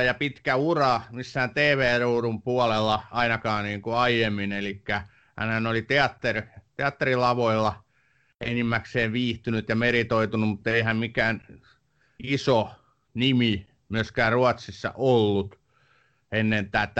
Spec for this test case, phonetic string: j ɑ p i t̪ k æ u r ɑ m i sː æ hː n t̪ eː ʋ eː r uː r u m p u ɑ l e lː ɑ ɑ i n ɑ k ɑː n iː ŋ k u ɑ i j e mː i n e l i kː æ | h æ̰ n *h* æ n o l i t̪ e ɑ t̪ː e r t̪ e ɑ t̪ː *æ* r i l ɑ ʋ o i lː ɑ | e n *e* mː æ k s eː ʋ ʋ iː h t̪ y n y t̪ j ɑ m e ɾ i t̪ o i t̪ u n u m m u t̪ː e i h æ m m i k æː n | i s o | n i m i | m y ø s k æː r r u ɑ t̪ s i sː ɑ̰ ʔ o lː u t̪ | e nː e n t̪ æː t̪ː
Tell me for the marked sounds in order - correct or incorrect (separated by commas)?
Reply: correct, incorrect, incorrect